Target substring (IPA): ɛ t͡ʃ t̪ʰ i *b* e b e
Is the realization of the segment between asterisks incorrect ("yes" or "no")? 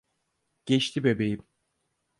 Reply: no